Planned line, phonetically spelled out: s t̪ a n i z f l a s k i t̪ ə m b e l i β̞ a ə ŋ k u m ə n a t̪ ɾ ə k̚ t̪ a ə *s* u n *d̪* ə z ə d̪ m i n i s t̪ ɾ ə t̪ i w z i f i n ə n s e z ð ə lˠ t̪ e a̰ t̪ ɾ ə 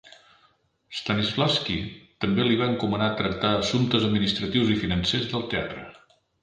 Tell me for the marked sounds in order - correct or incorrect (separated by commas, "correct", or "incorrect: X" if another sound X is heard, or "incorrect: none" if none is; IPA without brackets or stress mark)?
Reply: correct, incorrect: t̪